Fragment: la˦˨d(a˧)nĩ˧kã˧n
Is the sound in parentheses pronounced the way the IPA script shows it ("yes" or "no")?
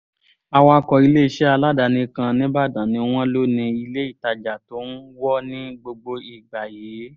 yes